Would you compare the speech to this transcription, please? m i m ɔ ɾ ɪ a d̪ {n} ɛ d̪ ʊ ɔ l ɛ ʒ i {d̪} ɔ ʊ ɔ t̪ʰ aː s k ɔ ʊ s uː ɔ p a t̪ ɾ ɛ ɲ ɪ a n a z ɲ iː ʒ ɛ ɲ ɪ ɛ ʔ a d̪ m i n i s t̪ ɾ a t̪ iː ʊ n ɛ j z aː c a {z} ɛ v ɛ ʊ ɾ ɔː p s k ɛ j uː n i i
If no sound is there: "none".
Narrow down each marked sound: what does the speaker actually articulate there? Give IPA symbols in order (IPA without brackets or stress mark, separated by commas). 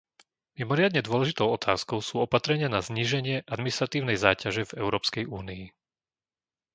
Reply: ɲ, t̪, ʒ